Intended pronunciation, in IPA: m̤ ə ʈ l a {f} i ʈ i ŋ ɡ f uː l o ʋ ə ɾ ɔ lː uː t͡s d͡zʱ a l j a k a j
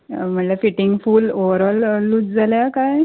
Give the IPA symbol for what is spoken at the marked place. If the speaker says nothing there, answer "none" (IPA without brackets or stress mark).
f